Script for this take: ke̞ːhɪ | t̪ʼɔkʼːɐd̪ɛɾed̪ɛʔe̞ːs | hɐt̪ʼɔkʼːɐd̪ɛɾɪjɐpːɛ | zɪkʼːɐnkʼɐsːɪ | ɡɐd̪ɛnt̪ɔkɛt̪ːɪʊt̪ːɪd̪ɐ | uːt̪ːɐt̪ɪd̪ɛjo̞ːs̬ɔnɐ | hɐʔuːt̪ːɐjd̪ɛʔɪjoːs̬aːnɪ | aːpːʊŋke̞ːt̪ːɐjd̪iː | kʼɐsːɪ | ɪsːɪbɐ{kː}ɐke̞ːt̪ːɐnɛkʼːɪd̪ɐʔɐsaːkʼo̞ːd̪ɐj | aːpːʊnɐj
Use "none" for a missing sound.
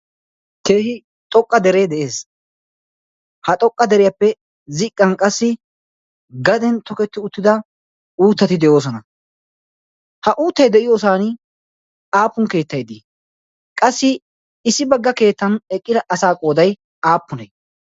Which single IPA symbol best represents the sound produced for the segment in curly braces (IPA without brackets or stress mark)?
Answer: ɡː